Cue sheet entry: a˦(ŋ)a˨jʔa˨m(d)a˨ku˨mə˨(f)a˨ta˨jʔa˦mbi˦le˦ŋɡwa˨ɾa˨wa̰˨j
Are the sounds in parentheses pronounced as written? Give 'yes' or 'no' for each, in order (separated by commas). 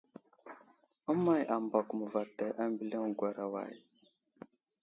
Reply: no, no, no